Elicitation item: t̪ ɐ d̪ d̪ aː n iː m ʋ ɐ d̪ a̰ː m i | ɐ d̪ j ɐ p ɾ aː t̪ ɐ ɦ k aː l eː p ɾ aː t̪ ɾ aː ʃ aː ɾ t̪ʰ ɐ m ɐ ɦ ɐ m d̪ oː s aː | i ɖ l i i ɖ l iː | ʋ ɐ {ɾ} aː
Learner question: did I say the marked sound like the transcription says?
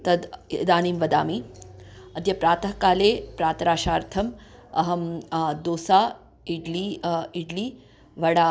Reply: no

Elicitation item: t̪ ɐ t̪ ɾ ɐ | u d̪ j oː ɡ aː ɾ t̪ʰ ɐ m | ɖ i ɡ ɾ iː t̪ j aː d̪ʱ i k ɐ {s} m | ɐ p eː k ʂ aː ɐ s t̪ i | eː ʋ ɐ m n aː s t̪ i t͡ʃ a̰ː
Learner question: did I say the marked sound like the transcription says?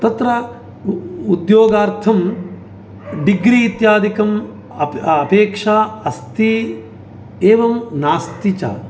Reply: no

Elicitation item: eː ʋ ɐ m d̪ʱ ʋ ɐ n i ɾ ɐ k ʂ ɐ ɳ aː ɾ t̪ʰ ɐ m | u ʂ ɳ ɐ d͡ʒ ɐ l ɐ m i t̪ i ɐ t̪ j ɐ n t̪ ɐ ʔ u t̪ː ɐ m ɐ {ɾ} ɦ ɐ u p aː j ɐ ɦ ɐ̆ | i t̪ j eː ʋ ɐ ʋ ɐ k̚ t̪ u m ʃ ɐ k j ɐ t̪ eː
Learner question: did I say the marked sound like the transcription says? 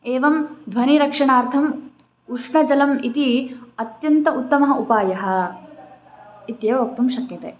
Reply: no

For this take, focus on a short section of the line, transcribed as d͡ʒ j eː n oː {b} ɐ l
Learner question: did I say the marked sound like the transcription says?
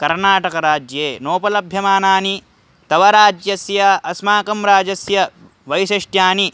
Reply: no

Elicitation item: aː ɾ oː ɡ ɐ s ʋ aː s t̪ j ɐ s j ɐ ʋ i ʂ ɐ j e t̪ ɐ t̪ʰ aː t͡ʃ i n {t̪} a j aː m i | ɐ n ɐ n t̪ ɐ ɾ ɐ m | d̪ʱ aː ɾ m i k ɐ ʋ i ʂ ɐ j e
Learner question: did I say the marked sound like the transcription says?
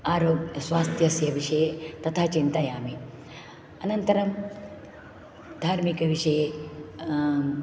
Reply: yes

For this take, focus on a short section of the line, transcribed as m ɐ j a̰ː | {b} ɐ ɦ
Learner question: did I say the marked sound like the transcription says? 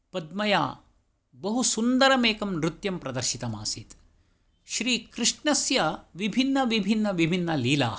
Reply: yes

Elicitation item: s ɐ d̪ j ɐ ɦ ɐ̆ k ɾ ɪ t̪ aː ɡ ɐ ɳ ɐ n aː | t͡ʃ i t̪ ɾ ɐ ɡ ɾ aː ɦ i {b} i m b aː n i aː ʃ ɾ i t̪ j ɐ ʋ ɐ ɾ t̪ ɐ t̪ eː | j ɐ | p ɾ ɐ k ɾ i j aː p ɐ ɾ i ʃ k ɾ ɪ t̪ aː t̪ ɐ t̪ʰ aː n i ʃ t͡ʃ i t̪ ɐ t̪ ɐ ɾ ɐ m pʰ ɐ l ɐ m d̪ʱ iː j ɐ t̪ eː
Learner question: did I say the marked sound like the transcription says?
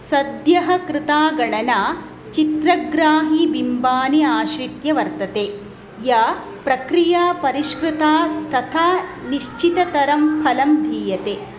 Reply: yes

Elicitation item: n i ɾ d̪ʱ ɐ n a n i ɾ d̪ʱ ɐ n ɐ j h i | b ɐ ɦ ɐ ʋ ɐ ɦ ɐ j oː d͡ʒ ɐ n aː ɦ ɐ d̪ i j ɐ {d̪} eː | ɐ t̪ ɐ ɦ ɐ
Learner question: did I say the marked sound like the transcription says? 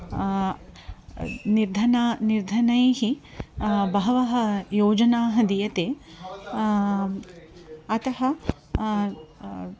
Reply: no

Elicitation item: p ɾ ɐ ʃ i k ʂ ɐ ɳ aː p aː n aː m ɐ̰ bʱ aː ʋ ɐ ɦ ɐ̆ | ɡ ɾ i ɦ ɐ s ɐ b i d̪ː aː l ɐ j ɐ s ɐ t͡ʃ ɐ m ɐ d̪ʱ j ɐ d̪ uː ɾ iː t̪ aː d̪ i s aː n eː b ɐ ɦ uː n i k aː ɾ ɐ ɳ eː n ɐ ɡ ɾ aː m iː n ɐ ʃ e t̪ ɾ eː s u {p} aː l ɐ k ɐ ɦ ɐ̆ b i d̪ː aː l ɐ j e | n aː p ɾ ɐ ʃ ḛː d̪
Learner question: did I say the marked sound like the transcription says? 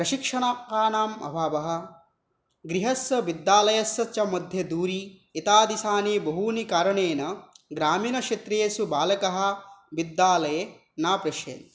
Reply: no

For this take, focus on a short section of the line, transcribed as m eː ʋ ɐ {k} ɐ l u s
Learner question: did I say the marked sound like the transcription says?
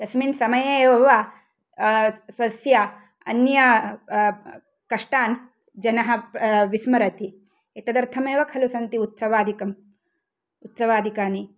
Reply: no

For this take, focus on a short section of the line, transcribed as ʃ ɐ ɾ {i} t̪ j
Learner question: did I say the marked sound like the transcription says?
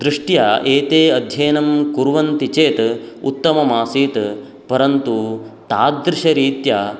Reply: no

